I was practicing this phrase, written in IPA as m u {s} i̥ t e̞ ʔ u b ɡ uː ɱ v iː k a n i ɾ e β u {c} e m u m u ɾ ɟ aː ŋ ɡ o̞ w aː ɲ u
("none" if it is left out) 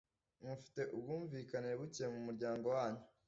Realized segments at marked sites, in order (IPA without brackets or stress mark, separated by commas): f, c